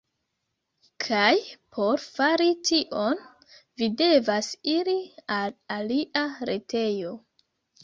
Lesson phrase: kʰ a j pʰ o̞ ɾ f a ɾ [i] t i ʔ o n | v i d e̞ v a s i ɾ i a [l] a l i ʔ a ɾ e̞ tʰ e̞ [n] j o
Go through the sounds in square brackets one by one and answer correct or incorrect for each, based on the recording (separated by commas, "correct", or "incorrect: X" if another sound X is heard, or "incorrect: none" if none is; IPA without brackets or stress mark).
correct, correct, incorrect: none